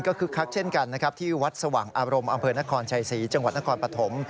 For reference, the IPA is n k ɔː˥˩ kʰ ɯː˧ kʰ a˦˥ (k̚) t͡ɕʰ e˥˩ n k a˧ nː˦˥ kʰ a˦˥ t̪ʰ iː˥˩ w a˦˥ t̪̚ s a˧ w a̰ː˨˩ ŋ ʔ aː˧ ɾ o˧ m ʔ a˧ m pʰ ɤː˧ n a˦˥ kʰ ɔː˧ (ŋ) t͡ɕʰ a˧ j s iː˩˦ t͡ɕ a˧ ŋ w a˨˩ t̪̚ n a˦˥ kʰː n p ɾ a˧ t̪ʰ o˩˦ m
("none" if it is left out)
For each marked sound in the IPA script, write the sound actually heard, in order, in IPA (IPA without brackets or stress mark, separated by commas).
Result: k̚, n